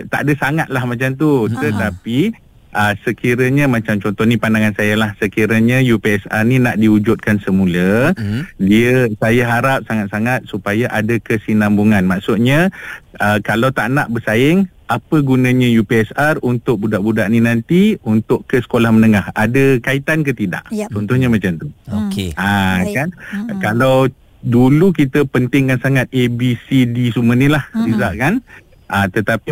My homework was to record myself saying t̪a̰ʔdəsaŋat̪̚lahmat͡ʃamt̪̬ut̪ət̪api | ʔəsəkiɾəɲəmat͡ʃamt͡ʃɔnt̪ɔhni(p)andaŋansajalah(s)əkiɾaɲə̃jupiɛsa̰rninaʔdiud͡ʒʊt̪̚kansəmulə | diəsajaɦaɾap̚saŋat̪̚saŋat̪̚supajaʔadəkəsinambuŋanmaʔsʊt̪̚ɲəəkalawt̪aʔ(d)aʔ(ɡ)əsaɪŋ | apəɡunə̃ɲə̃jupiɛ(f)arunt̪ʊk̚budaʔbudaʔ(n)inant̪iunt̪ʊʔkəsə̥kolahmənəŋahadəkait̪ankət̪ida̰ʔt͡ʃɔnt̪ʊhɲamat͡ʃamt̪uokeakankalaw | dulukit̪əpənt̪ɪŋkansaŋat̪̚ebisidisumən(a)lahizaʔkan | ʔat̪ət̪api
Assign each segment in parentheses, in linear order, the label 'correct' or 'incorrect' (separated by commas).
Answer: correct, correct, incorrect, incorrect, incorrect, correct, incorrect